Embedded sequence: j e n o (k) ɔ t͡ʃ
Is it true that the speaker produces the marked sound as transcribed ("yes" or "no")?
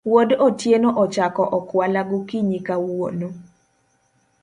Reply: no